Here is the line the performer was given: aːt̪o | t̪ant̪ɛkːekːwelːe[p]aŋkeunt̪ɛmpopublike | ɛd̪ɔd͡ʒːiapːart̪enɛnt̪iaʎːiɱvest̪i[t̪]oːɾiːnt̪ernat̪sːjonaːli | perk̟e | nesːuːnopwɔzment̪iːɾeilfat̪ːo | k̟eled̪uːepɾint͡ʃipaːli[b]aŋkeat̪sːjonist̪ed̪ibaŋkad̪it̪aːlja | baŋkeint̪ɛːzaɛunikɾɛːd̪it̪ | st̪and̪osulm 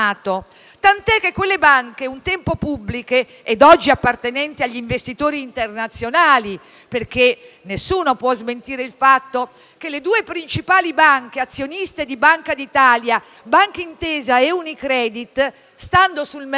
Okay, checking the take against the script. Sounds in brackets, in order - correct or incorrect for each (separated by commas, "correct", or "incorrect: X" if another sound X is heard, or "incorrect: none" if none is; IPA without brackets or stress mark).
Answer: incorrect: b, correct, correct